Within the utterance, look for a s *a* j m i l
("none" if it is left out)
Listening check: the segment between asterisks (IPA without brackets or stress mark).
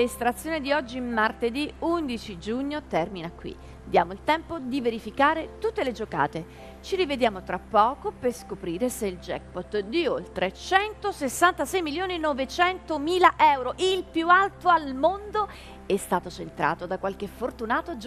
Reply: ɛ